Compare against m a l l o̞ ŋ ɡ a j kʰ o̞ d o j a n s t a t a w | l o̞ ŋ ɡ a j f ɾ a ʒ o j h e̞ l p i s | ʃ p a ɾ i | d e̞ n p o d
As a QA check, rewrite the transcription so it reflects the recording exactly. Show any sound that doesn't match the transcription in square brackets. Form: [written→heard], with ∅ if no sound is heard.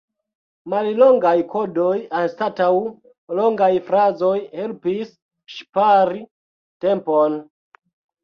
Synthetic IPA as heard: m a l l o̞ ŋ ɡ a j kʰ o̞ d o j a n s t a t a w | l o̞ ŋ ɡ a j f ɾ a [ʒ→z] o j h e̞ l p i s | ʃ p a ɾ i | [d→t] e̞ [n→m] p o [d→n]